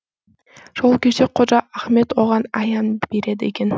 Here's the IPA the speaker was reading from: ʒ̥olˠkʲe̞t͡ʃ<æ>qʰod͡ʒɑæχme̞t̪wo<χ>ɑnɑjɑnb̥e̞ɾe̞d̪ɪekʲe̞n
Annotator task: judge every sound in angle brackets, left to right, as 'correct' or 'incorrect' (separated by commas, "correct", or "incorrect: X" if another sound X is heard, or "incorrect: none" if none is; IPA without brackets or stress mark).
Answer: incorrect: e, incorrect: ʁ